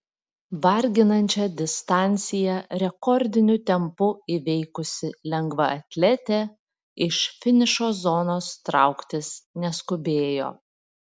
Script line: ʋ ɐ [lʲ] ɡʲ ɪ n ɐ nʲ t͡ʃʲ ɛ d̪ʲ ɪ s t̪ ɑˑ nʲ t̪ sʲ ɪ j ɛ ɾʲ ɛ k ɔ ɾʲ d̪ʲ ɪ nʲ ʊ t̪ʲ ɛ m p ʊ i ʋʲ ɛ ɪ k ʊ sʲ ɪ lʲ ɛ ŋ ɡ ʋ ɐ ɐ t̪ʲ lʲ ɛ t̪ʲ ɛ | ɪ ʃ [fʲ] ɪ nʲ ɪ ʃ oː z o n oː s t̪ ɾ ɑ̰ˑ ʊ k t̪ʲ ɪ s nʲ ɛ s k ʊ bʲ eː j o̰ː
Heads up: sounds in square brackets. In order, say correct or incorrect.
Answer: incorrect: ɾʲ, correct

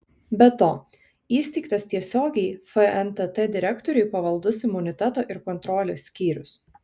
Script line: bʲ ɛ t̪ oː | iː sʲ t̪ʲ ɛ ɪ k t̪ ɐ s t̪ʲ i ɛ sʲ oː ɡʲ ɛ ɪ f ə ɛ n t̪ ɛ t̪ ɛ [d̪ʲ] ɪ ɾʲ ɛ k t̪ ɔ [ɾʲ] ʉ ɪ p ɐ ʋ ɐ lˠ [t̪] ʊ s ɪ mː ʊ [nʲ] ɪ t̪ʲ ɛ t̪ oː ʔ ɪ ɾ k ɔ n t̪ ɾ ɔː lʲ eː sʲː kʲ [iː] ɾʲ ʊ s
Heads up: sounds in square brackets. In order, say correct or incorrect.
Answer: correct, correct, incorrect: d̪, correct, correct

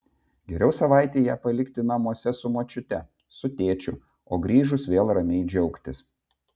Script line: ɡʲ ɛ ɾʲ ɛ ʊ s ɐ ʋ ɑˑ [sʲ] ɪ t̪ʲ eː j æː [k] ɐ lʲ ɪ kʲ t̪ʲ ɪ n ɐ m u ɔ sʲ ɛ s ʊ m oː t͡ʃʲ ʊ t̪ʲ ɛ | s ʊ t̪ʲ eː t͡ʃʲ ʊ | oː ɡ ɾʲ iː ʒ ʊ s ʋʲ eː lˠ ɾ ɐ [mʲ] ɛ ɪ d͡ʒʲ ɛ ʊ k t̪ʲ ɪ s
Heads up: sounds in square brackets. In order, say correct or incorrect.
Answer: incorrect: none, incorrect: p, correct

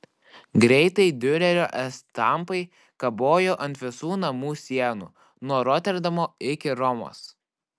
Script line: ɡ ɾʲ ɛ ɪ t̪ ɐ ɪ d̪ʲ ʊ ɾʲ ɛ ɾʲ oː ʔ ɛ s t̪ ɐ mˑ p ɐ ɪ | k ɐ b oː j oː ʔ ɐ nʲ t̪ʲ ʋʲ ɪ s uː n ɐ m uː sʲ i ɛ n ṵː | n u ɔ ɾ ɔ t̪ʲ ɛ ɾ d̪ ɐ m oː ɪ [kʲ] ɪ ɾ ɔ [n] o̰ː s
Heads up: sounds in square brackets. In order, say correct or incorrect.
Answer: correct, incorrect: m

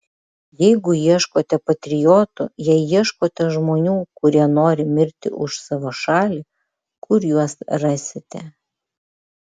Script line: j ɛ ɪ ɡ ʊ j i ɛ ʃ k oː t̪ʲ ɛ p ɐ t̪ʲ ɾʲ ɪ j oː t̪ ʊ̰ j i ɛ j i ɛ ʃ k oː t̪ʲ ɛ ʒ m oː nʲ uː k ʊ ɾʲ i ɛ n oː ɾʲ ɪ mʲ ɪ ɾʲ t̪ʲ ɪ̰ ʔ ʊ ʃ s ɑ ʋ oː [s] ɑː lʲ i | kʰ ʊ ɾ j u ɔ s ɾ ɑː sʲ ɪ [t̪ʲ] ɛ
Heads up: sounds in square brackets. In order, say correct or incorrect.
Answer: incorrect: ʃ, correct

